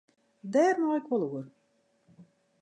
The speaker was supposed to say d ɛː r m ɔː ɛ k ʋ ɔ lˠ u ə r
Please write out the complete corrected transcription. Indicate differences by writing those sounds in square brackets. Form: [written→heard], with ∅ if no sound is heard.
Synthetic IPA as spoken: d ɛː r [m→n] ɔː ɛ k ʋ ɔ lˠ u ə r

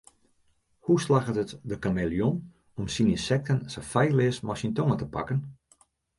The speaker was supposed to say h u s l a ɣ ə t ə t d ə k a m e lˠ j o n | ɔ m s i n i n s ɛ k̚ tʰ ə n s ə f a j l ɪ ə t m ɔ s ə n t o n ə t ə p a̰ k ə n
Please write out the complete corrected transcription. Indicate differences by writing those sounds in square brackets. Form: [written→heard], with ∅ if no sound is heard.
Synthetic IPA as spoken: h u s l a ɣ ə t ə t d ə k a m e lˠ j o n | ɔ m s i n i n s ɛ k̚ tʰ ə n s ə f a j l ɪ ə [t→s] m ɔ s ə n t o [n→ŋ] ə t ə p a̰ k ə n

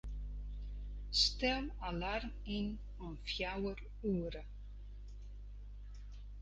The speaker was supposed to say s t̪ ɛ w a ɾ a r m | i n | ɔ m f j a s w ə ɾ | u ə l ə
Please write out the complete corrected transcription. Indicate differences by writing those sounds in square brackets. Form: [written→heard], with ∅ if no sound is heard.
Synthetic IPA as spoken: s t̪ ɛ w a [ɾ→l] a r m | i n | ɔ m f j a [s→∅] w ə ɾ | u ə [l→ɾ] ə

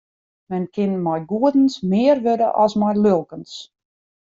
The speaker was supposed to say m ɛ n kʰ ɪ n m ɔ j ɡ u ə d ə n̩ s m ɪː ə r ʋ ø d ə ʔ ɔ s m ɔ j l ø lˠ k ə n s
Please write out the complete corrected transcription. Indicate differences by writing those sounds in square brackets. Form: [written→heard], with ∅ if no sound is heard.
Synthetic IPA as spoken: m ɛ n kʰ ɪ n m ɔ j ɡ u ə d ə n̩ s m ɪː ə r ʋ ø d ə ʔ ɔ s m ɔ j l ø lˠ k ə n s

